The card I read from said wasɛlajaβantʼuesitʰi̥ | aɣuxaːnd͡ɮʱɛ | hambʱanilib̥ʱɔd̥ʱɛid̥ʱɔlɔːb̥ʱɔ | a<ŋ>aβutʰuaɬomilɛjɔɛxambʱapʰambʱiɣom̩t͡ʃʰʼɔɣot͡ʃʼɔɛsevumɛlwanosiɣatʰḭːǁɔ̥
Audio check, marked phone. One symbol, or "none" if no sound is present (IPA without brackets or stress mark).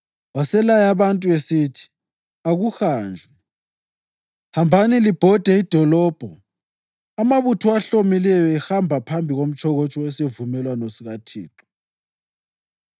m